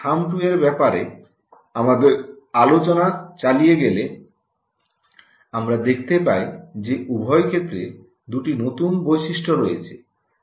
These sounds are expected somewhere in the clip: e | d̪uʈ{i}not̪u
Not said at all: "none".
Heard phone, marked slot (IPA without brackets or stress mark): i